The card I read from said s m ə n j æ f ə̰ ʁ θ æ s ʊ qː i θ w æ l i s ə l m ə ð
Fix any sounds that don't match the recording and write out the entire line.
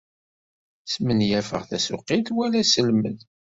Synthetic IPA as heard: s m ə n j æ f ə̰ ʁ θ æ s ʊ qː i θ w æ l æ s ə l m ə ð